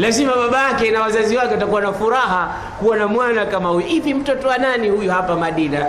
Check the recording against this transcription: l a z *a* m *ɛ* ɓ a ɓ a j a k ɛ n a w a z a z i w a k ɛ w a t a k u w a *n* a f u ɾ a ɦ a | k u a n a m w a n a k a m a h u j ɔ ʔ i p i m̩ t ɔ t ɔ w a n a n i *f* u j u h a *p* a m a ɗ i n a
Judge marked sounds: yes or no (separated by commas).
no, no, yes, no, yes